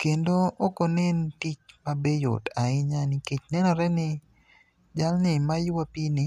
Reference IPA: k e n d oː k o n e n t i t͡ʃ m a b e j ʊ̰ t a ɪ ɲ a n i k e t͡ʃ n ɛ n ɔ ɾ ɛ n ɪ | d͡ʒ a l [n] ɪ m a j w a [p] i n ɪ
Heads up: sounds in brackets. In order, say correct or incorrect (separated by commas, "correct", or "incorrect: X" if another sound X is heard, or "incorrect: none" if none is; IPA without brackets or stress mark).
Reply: correct, correct